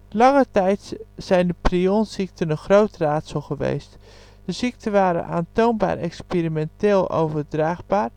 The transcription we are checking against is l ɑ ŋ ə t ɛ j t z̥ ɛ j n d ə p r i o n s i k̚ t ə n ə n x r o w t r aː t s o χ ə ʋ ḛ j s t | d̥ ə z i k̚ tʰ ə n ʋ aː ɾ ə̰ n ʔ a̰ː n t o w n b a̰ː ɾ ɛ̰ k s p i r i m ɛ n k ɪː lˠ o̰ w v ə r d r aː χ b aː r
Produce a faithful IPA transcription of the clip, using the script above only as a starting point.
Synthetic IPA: l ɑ ŋ ə t ɛ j t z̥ ɛ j n d ə p r i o n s i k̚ t ə n ə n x r o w t r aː t s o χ ə ʋ ḛ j s t | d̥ ə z i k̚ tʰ ə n ʋ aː ɾ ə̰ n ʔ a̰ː n t o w n b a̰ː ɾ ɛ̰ k s p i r i m ɛ n t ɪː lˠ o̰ w v ə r d r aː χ b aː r